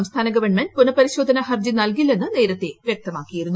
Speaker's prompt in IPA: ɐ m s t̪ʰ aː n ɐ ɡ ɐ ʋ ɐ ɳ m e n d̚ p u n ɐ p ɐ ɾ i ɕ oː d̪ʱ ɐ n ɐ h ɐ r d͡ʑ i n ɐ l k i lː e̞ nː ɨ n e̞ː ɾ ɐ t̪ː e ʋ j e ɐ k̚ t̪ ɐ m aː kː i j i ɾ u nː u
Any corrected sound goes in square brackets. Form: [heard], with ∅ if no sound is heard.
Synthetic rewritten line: ɐ m s t̪ʰ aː n ɐ ɡ ɐ ʋ ɐ ɳ m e n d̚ p u n ɐ p ɐ ɾ i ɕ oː d̪ʱ ɐ n ɐ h ɐ r d͡ʑ i n ɐ l k i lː e̞ nː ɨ n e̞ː ɾ ɐ t̪ː e ʋ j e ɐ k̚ t̪ ɐ m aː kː i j i ɾ u nː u